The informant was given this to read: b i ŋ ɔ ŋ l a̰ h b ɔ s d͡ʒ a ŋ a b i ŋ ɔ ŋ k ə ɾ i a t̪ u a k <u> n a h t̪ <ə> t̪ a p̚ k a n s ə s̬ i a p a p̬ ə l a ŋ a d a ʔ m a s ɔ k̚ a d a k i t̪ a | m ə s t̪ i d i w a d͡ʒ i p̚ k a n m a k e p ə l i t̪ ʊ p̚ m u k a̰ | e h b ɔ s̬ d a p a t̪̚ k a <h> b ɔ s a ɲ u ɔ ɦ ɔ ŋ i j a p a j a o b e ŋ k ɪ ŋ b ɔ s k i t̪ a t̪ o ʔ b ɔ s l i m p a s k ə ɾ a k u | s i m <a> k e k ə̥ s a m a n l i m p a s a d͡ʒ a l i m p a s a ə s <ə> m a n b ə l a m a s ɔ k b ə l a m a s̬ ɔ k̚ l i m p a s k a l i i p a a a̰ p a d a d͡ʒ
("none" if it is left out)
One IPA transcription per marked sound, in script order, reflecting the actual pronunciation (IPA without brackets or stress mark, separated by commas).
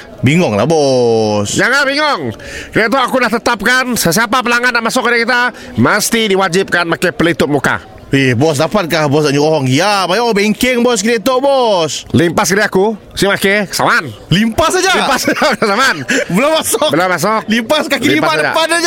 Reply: u, ə, h, a, a